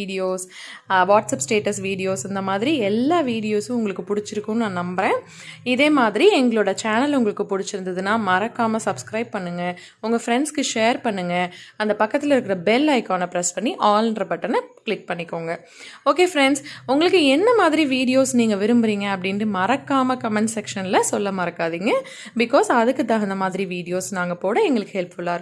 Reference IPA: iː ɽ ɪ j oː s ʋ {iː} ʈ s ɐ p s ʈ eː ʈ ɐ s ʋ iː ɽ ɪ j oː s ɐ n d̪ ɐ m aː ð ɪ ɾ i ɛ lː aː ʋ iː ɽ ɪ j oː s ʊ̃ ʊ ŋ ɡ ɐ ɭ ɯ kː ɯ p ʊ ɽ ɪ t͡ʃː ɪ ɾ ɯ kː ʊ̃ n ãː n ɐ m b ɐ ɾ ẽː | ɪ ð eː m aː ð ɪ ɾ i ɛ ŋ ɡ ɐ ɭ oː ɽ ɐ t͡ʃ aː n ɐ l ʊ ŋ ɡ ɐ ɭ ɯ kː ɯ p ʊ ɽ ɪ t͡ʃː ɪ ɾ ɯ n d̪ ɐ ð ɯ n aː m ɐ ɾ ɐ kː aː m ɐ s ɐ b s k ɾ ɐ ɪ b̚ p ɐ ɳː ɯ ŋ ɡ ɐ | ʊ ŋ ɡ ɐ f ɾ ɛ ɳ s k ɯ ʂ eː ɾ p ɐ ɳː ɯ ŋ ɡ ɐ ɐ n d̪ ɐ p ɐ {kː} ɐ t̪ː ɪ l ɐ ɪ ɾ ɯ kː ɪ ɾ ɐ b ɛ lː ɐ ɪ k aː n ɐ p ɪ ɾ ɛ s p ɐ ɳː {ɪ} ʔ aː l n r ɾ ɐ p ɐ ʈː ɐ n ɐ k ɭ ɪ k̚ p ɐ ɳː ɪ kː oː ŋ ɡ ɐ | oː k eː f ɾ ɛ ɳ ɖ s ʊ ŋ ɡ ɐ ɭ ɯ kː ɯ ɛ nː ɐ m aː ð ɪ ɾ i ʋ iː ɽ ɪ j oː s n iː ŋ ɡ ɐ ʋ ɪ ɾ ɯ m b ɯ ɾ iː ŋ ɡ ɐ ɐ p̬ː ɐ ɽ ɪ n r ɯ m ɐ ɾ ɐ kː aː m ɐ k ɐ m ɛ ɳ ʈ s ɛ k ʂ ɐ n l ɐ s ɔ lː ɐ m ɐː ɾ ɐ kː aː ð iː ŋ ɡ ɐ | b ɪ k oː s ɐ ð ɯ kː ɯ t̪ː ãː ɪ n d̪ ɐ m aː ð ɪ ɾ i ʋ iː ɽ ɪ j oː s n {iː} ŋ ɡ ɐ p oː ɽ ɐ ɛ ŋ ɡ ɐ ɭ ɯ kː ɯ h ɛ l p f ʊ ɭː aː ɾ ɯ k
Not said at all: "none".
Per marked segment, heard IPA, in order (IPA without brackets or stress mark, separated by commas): aː, kː, i, aː